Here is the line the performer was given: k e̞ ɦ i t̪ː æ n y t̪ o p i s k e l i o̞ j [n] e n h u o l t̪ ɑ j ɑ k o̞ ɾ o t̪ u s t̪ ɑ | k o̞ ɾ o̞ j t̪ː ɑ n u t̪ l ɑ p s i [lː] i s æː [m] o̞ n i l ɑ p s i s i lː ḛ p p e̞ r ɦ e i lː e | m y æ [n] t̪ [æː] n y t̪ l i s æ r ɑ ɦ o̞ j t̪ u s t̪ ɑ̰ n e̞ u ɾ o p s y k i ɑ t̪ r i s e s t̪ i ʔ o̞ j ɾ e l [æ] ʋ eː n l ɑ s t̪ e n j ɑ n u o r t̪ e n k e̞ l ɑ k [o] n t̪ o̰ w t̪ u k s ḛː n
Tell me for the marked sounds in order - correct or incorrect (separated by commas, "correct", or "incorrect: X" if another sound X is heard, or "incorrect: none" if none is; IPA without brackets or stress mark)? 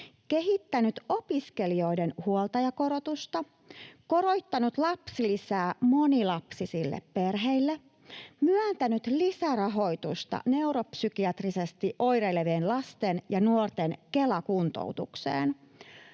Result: incorrect: d, incorrect: l, correct, correct, incorrect: æ, incorrect: e, incorrect: u